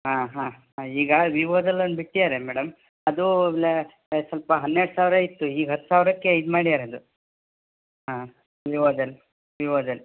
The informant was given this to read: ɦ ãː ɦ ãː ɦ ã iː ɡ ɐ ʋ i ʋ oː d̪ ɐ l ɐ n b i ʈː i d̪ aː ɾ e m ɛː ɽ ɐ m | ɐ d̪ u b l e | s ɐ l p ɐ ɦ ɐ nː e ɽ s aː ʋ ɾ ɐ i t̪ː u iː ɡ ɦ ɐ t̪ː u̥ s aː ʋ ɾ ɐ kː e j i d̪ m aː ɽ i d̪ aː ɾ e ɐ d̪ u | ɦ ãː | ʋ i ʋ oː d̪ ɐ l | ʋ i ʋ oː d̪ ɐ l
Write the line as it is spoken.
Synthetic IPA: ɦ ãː ɦ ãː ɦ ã iː ɡ ɐ ʋ i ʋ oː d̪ ɐ l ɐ n b i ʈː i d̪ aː ɾ e m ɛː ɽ ɐ m | ɐ d̪ u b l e | s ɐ l p ɐ ɦ ɐ nː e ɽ s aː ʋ ɾ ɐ i t̪ː u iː ɡ ɦ ɐ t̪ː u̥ s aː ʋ ɾ ɐ kː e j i d̪ m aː ɽ i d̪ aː ɾ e ɐ d̪ u | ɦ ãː | ʋ i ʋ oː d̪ ɐ l | ʋ i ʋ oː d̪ ɐ l